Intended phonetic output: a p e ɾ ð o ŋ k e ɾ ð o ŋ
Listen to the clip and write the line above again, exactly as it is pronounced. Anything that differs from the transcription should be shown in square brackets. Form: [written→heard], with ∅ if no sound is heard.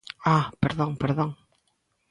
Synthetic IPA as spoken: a p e ɾ ð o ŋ [k→p] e ɾ ð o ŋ